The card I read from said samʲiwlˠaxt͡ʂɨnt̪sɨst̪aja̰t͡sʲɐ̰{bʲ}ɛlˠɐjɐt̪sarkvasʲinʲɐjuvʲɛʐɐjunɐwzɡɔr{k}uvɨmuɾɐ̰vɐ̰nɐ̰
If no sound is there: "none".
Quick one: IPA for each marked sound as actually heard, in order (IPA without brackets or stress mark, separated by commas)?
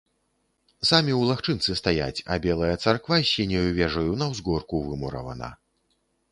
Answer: bʲ, k